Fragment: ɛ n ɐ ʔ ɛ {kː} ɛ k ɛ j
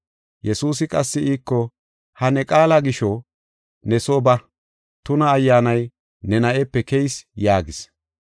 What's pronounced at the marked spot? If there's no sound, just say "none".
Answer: pː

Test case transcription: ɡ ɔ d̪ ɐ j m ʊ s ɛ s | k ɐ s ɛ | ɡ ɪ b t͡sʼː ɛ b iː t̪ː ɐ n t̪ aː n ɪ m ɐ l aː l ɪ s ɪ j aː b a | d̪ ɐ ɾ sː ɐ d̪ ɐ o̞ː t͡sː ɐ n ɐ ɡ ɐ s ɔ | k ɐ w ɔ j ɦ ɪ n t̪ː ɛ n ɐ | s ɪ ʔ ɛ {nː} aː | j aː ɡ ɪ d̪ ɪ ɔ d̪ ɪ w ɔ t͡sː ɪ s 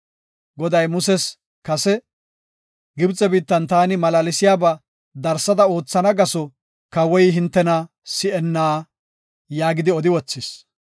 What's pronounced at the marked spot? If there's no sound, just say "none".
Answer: nː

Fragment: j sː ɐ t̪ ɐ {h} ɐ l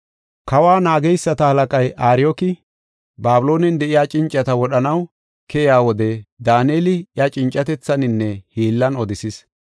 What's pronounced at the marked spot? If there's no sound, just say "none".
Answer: h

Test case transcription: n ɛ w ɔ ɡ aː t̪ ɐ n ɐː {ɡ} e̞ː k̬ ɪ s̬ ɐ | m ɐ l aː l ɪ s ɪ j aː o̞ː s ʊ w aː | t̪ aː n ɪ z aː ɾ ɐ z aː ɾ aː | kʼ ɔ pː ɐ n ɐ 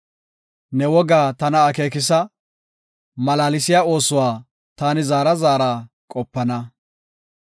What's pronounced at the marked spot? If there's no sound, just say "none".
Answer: k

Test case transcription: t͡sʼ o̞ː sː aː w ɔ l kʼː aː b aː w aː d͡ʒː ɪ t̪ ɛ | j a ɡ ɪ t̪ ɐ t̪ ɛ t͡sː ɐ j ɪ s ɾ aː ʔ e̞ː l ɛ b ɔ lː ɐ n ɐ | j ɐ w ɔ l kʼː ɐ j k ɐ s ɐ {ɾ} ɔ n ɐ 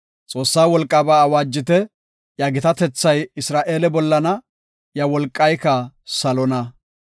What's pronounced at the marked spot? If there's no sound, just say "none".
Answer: l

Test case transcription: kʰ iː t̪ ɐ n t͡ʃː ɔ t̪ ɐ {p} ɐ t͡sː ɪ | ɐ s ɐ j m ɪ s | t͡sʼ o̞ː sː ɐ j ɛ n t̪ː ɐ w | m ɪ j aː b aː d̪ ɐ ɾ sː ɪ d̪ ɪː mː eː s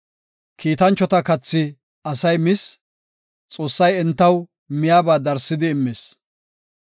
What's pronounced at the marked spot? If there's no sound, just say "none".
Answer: k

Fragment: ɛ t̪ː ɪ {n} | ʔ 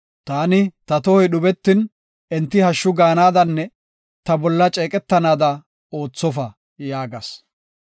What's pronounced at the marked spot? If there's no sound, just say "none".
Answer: n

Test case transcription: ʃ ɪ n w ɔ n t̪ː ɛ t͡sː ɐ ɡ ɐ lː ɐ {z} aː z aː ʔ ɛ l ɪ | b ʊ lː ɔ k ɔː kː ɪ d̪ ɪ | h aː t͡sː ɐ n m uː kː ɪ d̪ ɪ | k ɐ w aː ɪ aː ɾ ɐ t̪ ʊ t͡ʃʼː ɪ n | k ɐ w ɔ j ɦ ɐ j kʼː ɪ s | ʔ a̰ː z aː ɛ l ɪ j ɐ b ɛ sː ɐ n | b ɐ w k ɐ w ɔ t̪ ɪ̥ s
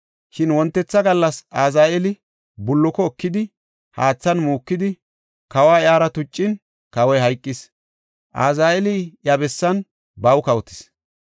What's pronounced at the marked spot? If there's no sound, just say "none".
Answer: s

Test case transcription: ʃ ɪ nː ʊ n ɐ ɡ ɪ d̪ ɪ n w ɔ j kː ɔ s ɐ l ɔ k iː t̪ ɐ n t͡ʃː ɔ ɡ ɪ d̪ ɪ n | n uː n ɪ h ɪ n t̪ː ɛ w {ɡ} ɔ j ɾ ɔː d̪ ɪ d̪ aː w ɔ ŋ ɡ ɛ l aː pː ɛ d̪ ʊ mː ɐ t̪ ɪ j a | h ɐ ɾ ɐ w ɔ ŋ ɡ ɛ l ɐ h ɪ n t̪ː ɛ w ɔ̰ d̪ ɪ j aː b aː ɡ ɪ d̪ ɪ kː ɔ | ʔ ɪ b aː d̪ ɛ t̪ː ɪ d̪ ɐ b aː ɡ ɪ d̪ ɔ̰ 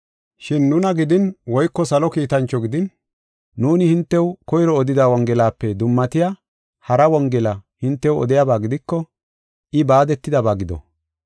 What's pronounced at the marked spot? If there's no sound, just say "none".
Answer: k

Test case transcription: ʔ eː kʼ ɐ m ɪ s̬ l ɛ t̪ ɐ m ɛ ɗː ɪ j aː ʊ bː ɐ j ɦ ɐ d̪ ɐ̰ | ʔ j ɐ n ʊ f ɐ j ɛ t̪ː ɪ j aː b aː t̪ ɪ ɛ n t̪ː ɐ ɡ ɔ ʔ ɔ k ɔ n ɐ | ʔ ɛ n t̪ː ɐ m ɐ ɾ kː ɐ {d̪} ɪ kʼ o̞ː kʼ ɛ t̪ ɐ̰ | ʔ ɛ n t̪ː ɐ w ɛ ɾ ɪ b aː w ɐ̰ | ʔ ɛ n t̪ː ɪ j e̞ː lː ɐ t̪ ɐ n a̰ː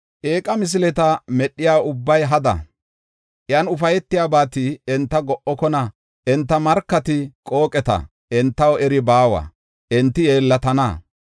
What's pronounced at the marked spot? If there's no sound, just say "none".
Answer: t̪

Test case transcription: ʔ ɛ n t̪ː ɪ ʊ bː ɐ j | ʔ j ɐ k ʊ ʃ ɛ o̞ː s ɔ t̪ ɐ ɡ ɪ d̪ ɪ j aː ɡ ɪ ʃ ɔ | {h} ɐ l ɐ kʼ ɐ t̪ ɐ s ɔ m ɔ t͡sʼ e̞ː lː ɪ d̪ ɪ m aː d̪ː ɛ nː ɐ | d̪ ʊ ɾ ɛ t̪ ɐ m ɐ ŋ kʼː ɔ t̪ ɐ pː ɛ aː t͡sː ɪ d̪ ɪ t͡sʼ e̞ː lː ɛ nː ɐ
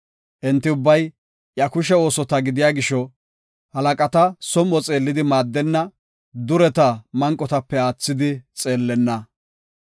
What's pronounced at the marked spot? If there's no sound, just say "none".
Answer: h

